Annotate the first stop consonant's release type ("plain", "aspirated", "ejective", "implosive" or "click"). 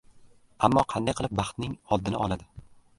aspirated